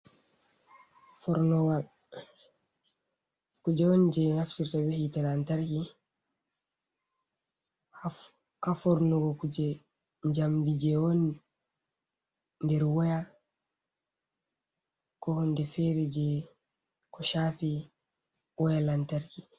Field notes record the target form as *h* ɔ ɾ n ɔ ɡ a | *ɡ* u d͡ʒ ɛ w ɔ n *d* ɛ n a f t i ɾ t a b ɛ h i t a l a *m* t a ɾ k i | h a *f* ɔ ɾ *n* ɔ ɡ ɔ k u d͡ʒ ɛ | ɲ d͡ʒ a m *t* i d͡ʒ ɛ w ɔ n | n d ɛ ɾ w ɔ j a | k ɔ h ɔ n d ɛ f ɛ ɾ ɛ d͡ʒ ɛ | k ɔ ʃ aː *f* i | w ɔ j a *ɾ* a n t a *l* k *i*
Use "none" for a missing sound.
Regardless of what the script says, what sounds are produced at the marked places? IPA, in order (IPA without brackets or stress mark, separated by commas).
f, k, d͡ʒ, n, f, n, d, f, l, ɾ, i